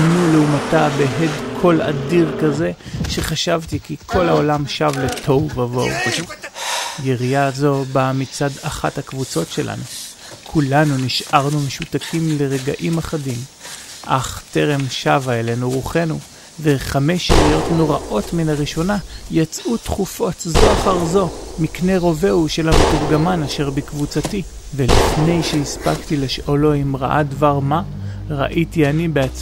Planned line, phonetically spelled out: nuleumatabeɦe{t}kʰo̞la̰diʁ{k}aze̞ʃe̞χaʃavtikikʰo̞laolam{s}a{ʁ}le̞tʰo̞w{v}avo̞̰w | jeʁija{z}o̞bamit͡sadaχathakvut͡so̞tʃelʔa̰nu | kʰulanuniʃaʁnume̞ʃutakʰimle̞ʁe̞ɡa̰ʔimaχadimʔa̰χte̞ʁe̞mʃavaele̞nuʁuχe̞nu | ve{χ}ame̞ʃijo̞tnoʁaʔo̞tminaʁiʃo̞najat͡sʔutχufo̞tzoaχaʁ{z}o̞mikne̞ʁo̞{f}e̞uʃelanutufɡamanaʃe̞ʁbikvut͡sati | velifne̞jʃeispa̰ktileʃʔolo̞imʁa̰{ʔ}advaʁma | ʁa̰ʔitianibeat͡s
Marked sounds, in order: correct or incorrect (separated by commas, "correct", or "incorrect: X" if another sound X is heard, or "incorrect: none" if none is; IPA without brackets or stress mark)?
incorrect: d, correct, incorrect: ʃ, incorrect: v, correct, correct, correct, correct, incorrect: v, correct